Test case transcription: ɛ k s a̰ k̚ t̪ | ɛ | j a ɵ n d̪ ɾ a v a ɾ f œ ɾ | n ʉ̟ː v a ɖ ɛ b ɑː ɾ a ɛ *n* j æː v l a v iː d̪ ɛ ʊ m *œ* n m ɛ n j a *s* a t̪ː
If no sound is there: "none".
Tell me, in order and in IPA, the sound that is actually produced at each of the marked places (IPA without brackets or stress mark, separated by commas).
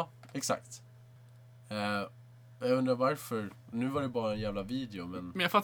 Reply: n, ɛ, f